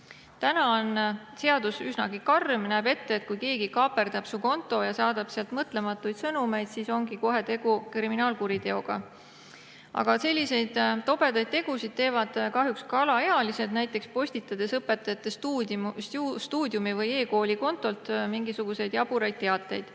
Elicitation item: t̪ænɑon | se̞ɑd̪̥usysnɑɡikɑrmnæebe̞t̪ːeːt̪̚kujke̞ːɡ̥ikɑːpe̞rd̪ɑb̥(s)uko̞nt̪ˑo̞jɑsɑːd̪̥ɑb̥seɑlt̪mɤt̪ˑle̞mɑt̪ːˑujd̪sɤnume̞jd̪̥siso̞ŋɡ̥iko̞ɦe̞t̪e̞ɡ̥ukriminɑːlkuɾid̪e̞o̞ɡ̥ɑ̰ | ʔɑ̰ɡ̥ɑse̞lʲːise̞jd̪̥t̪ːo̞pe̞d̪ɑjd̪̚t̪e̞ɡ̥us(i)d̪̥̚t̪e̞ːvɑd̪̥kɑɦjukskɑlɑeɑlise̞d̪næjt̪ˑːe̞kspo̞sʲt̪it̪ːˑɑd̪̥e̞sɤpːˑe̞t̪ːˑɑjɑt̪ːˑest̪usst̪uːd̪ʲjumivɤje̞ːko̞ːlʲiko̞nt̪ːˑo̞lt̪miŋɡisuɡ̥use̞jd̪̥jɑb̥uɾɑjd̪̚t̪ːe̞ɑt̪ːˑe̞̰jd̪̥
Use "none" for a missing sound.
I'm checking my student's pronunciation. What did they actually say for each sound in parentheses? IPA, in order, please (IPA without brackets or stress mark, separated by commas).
s, i